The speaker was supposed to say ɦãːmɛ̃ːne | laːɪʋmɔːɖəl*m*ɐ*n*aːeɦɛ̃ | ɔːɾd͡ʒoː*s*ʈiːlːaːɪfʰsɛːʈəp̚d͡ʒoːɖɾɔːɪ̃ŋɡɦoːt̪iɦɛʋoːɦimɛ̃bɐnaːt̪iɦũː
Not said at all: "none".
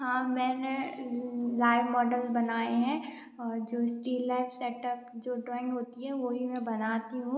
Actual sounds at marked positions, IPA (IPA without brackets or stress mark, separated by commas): b, n, s